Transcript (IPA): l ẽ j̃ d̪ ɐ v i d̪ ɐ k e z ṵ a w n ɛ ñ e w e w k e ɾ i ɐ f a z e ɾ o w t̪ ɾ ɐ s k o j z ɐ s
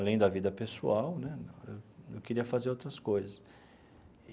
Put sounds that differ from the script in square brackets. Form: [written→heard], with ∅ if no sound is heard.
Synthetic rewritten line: l ẽ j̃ d̪ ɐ v i d̪ ɐ [k→p] e [z→s] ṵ a w n ɛ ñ e w e w k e ɾ i ɐ f a z e ɾ o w t̪ ɾ ɐ s k o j z ɐ s